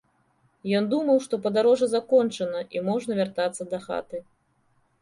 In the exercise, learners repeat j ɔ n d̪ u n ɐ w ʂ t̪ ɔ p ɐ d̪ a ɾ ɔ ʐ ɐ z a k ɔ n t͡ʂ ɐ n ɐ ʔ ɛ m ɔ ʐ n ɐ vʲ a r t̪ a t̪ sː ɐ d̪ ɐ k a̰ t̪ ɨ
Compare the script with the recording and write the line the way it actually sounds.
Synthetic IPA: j ɔ n d̪ u m ɐ w ʂ t̪ ɔ p ɐ d̪ a ɾ ɔ ʐ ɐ z a k ɔ n t͡ʂ ɐ n ɐ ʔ i m ɔ ʐ n ɐ vʲ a r t̪ a t̪ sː ɐ d̪ ɐ x a̰ t̪ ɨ